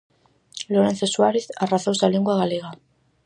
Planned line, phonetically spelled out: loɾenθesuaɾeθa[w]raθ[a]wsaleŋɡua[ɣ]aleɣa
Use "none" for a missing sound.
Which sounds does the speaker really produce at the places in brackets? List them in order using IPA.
none, a, ɣ

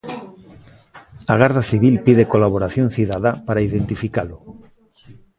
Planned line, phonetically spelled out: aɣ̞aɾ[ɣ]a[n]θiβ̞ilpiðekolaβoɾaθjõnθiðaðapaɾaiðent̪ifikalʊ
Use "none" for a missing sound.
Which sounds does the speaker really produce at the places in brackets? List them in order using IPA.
ð, none

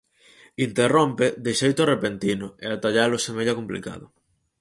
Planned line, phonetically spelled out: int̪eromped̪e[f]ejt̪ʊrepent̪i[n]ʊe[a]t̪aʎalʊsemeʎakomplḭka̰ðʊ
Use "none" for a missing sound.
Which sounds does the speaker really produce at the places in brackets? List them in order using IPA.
ʃ, n, a

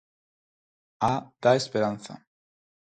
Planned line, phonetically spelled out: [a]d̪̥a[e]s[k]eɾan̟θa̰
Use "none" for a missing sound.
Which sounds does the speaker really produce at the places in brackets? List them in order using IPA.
a, e, p

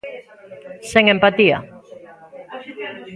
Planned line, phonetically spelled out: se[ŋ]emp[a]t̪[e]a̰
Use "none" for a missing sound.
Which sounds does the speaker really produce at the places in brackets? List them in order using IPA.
ŋ, a, i

